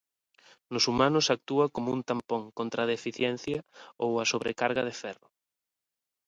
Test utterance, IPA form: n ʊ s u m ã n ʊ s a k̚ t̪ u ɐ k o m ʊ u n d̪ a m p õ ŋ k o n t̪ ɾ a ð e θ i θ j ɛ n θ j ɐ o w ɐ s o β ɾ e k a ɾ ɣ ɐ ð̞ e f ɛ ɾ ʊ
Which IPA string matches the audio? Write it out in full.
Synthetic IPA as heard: n ʊ s u m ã n ʊ s a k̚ t̪ u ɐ k o m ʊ u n t̪ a m p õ ŋ k o n t̪ ɾ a ð e f i θ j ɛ n θ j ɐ o w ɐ s o β ɾ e k a ɾ ɣ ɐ ð̞ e f ɛ r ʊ

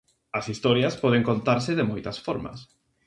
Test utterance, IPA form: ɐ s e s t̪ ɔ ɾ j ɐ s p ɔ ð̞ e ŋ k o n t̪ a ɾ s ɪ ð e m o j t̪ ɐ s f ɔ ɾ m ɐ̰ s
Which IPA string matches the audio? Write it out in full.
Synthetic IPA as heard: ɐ s i s t̪ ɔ ɾ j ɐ s p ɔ ð̞ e ŋ k o n t̪ a ɾ s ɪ ð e m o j t̪ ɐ s f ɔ ɾ m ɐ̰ s

